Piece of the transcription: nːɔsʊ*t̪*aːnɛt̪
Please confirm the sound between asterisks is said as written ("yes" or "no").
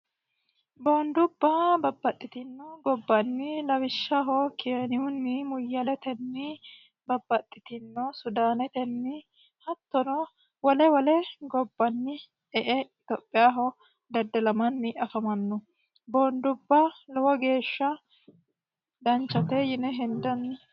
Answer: no